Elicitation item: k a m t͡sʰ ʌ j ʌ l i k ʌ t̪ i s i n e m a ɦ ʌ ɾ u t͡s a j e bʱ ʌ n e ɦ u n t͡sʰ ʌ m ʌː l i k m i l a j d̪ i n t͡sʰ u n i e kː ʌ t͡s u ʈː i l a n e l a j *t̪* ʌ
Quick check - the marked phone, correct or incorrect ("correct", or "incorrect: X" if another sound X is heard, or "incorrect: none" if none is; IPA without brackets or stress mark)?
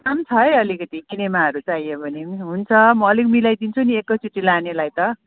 correct